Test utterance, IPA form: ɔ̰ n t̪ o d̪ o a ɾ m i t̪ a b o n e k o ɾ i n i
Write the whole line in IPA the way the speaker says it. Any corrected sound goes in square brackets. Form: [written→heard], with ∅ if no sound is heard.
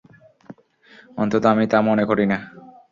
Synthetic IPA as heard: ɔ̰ n t̪ o [d̪→t̪] o a [ɾ→∅] m i t̪ a [b→m] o n e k o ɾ i n [i→a]